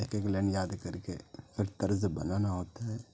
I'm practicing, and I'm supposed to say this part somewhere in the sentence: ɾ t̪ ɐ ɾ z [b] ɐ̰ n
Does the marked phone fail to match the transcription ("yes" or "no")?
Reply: no